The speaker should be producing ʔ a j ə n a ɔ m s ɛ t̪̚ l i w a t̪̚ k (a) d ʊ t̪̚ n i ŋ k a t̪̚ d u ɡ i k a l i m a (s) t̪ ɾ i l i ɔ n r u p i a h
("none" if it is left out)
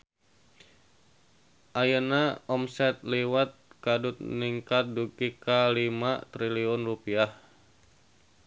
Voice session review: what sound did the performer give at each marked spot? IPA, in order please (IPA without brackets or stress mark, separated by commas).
a, none